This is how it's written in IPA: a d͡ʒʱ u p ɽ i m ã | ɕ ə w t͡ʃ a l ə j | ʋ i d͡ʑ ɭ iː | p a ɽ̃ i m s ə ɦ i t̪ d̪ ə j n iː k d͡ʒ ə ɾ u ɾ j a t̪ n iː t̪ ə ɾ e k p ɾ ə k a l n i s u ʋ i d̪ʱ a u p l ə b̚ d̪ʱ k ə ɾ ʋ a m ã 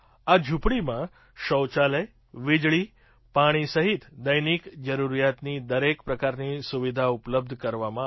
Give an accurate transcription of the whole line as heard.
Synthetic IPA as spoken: a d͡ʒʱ u p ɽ i m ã | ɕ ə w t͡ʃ a l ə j | ʋ i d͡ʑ ɭ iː | p a ɽ̃ i s ə ɦ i t̪ d̪ ə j n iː k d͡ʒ ə ɾ u ɾ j a t̪ n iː d̪ ə ɾ e k p ɾ ə k a ɾ n i s u ʋ i d̪ʱ a u p l ə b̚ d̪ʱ k ə ɾ ʋ a m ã